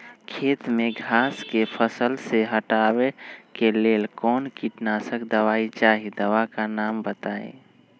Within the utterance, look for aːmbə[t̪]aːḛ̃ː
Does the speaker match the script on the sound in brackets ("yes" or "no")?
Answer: yes